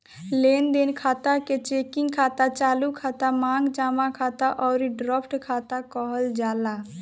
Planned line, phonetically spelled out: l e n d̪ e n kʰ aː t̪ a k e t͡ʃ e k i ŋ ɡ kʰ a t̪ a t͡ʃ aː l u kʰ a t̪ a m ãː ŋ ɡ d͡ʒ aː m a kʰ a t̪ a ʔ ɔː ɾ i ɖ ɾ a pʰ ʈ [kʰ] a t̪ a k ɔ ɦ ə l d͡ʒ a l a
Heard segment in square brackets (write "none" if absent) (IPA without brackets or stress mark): kʰ